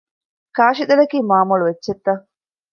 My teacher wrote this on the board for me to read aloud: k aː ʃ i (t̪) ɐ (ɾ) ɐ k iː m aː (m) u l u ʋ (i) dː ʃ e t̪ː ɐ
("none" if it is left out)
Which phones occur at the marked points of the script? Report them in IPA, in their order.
d̪, l, m, e

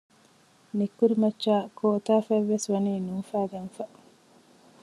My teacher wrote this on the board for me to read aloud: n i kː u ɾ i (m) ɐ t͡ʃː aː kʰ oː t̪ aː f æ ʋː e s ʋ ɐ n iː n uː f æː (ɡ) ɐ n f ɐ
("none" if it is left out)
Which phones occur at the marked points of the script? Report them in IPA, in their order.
m, ɡ

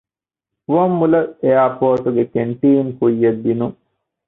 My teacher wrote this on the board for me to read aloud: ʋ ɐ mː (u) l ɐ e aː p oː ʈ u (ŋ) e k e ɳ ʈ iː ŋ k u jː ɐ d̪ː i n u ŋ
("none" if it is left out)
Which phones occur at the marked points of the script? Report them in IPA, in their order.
u, ɡ

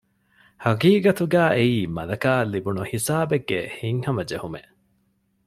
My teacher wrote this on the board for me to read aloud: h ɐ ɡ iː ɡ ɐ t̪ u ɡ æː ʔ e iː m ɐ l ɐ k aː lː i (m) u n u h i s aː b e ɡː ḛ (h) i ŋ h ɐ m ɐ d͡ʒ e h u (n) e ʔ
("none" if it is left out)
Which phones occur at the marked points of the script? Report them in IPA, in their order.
b, h, m

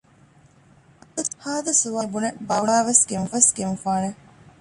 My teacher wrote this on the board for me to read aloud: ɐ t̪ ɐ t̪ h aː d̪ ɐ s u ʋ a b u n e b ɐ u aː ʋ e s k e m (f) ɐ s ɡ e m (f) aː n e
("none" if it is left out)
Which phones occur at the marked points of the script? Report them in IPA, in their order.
f, f

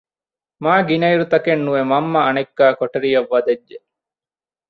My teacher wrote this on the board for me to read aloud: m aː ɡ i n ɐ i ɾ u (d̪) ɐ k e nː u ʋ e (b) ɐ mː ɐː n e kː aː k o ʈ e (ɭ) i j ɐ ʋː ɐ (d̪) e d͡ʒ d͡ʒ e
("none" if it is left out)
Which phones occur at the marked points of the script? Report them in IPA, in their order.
t̪, m, ɾ, d̪

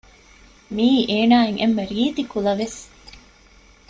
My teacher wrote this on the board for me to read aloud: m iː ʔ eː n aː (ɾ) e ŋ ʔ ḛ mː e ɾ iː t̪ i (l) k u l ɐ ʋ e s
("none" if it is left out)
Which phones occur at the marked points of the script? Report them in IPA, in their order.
none, none

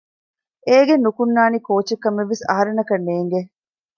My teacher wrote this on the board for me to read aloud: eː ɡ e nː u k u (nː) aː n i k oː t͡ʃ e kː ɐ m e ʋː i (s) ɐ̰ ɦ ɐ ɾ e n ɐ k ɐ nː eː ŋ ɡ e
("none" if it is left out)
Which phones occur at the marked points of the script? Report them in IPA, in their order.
nː, s

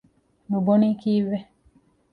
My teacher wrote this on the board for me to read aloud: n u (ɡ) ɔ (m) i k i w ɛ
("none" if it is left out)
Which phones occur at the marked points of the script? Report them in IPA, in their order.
b, n

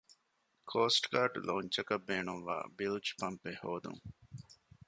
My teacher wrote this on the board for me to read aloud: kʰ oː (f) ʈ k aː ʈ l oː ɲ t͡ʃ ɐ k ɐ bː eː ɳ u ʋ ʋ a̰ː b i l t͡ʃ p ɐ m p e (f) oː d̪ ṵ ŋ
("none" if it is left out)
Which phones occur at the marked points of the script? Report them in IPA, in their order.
s, h

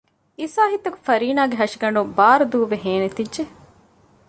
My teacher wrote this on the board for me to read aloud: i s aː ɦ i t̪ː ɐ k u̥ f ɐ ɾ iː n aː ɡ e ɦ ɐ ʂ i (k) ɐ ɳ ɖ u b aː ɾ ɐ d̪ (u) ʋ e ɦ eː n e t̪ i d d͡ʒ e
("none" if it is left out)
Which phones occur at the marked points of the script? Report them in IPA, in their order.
ɡ, uː

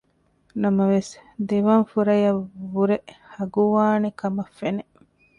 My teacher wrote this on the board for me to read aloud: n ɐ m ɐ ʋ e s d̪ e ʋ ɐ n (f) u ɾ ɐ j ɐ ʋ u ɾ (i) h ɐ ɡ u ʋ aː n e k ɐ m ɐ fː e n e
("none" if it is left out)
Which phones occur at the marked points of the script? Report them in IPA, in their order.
f, e

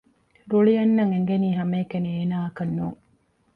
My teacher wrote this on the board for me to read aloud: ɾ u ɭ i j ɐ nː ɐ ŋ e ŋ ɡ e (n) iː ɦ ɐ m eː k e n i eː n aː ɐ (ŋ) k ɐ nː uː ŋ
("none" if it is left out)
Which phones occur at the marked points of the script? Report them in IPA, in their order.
n, none

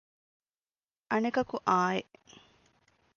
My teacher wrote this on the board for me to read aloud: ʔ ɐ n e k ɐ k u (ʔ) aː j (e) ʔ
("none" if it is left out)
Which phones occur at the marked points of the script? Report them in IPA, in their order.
ʔ, e

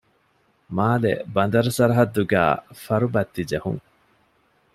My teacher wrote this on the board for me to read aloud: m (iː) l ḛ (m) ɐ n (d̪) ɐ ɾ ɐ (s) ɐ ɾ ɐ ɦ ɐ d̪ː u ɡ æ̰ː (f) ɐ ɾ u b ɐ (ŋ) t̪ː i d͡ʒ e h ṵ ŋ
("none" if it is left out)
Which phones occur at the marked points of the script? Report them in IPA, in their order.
aː, b, d̪, s, f, none

